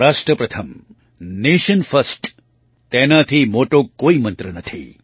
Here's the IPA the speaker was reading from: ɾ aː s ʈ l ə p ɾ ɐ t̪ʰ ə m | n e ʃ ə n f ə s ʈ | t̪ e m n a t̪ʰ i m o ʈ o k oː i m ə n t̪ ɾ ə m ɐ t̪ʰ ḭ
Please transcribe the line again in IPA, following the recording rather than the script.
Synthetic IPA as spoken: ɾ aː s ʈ ɾ ə p ɾ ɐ t̪ʰ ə m | n e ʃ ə n f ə s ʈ | t̪ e n a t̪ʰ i m o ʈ o k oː i m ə n t̪ ɾ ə n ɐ t̪ʰ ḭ